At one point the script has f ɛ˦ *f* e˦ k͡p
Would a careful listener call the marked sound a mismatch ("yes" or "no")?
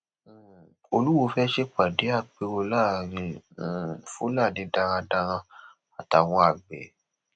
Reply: yes